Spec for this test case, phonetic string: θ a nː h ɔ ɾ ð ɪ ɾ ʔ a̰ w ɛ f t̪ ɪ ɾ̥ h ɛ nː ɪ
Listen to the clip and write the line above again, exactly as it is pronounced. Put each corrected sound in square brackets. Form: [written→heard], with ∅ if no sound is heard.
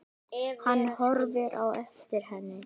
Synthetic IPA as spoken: [θ→h] a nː h ɔ ɾ [ð→v] ɪ ɾ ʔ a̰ w ɛ f t̪ ɪ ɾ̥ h ɛ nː ɪ